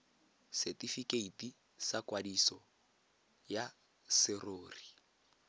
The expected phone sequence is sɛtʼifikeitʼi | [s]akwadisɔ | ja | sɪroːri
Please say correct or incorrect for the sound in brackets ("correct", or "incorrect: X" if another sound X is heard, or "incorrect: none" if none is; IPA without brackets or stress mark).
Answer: correct